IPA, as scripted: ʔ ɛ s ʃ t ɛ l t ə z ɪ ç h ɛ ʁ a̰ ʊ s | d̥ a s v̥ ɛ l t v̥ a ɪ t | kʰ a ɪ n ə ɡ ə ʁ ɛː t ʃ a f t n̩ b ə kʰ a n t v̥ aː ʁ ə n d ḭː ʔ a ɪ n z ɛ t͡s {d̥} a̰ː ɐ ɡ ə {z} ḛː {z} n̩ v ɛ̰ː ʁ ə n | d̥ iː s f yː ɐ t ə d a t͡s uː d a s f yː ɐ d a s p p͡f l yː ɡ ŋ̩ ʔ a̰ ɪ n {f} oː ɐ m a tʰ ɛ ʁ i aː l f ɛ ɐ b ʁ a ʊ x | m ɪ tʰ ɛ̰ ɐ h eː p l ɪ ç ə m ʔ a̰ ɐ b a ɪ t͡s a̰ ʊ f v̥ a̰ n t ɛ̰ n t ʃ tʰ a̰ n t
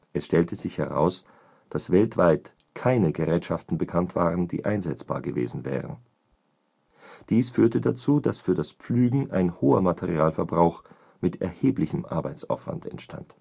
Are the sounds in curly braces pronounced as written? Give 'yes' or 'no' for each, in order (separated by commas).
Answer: no, no, yes, no